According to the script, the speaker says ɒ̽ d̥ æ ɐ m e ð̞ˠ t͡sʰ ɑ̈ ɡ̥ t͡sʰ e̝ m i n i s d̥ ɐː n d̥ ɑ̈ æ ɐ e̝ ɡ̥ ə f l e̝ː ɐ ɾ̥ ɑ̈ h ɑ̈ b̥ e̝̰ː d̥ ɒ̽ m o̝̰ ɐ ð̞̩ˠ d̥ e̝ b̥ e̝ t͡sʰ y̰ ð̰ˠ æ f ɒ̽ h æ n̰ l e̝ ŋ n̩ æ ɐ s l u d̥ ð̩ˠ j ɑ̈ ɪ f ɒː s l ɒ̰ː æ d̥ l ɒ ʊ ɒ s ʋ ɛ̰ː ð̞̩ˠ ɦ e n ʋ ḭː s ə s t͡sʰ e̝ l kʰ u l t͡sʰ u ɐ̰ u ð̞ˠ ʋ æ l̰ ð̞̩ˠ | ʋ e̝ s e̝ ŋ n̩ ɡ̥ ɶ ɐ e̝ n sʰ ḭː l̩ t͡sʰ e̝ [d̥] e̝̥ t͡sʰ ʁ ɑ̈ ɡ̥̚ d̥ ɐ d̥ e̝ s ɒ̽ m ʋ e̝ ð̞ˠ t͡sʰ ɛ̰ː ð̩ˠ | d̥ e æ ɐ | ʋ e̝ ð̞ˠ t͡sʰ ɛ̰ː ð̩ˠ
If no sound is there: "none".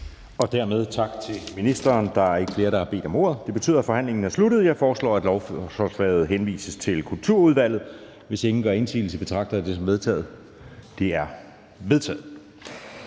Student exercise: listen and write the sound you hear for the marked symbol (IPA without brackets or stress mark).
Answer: b̥